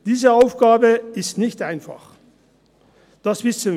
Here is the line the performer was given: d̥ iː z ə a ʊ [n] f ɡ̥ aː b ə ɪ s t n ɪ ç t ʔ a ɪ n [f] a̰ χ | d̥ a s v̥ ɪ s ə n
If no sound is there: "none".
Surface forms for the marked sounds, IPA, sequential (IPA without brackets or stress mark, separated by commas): none, f